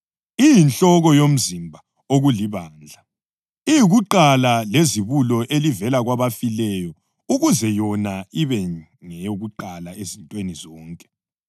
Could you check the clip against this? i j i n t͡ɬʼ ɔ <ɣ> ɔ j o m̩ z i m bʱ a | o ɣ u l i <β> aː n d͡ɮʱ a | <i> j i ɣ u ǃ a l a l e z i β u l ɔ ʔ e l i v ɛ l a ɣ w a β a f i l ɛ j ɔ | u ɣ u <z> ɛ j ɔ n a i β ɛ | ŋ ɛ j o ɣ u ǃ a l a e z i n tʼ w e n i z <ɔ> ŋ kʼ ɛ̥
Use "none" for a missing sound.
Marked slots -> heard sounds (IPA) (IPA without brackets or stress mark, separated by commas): ɣ, β, i, z, ɔː